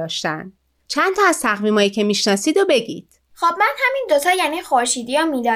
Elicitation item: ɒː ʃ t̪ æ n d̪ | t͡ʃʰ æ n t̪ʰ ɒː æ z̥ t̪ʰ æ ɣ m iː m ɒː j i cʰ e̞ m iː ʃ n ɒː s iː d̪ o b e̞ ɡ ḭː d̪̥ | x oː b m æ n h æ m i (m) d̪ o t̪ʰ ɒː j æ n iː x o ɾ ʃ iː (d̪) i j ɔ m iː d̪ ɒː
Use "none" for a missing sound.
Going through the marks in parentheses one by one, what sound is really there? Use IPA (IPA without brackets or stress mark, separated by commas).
n, d̪